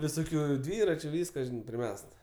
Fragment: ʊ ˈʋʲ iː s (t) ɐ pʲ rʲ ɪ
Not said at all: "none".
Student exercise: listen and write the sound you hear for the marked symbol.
k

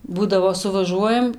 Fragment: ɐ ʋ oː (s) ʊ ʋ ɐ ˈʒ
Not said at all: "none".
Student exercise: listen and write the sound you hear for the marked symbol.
s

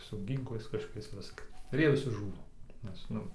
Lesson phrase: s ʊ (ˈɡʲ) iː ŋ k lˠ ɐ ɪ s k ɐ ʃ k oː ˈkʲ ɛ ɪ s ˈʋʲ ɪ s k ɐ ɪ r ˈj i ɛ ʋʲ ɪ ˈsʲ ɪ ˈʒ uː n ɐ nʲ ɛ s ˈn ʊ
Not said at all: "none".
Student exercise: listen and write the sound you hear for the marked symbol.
ɡʲ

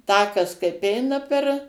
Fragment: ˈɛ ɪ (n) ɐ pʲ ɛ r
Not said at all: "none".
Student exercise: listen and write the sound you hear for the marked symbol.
n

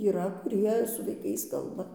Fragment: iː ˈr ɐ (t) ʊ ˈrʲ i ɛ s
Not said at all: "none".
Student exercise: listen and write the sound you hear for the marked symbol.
k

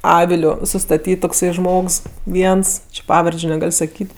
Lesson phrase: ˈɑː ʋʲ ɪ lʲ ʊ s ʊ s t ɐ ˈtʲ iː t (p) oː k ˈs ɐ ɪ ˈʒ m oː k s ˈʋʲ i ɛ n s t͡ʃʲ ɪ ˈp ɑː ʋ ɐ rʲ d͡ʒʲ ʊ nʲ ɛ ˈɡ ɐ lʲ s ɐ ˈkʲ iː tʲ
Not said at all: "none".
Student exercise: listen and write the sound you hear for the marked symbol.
t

